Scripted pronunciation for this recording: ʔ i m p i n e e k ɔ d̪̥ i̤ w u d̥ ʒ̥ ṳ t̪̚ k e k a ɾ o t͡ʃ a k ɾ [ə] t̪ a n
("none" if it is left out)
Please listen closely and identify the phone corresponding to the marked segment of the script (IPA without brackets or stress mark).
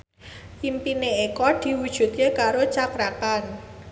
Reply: a